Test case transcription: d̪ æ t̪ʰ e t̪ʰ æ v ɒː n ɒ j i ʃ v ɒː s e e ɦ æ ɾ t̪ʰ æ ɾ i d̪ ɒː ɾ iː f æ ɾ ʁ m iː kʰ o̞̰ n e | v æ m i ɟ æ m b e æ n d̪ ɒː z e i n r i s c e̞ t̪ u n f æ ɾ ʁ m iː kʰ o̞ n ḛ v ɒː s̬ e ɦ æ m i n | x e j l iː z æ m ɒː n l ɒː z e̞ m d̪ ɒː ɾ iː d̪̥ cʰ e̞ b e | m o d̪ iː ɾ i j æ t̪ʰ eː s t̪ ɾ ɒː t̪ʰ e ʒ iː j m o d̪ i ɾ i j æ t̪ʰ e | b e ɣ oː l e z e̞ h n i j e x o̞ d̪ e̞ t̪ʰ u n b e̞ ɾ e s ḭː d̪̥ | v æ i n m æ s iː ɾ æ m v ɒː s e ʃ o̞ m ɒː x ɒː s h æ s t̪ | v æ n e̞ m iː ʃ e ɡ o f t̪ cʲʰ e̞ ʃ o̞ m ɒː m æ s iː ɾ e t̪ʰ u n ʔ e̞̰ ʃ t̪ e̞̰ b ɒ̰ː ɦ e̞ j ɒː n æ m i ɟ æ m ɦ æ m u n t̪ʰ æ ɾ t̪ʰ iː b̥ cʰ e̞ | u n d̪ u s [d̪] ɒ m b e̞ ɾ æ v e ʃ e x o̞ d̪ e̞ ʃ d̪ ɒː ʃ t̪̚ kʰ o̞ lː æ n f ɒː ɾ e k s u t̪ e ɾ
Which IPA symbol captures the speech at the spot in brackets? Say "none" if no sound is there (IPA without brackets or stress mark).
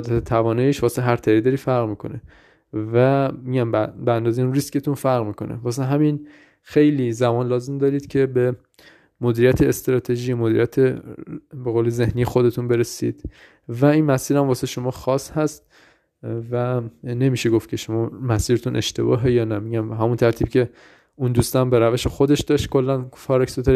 t̪